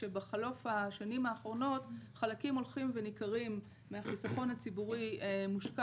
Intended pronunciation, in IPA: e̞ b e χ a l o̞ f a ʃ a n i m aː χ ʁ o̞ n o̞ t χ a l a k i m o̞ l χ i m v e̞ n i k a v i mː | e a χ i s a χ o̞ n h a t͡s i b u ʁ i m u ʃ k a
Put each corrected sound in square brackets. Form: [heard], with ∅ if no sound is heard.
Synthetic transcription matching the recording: e̞ b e χ a l o̞ f a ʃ a n i m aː χ ʁ o̞ n o̞ t χ a l a k i m o̞ l χ i m v e̞ n i k a [ʁ] i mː | e a χ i s a χ o̞ n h a t͡s i b u ʁ i m u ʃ k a